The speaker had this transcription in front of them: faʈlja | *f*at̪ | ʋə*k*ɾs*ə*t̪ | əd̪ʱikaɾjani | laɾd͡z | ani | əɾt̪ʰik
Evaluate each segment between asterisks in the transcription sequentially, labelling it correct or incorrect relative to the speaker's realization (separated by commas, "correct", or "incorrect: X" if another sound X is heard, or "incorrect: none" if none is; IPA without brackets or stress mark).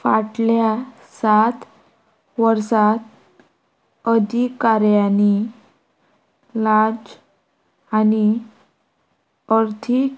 incorrect: s, incorrect: none, incorrect: a